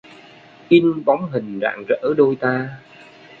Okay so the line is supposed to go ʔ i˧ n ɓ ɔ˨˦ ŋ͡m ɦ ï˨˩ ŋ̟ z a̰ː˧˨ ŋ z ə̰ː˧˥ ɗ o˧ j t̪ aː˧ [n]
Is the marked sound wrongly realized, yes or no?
yes